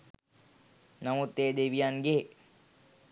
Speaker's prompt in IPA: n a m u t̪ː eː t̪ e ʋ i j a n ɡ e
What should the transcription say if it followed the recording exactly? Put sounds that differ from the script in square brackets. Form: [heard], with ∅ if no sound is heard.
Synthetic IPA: n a m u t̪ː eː [d̪] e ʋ i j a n ɡ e